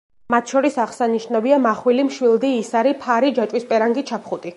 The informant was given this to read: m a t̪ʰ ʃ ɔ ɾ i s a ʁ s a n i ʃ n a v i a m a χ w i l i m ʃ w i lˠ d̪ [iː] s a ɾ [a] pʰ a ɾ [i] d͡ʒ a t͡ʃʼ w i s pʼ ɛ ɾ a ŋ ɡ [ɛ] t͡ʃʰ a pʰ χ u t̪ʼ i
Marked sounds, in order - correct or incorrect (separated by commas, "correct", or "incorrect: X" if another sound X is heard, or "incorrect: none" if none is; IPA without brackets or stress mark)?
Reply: correct, incorrect: i, correct, incorrect: i